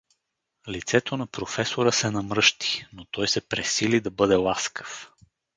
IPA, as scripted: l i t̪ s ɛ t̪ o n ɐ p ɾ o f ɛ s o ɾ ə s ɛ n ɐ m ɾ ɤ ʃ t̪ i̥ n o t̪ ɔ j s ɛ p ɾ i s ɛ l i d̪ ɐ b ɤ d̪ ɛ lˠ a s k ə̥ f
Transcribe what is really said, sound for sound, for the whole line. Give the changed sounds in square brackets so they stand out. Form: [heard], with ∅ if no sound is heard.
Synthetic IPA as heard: l i t̪ s ɛ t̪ o n ɐ p ɾ o f ɛ s o ɾ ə s ɛ n ɐ m ɾ ɤ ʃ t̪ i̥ n o t̪ ɔ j s ɛ p ɾ [ɛ] s [i] l i d̪ ɐ b ɤ d̪ ɛ lˠ a s k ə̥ f